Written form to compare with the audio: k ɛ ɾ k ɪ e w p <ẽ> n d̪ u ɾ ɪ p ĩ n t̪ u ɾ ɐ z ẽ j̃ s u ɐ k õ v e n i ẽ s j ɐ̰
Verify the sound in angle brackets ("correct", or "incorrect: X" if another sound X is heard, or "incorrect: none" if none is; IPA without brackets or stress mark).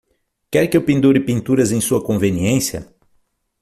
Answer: incorrect: ĩ